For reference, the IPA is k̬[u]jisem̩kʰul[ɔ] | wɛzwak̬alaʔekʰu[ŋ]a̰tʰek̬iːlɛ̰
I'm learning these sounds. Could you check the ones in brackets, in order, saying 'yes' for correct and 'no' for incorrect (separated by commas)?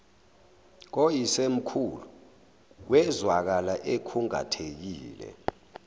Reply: no, no, yes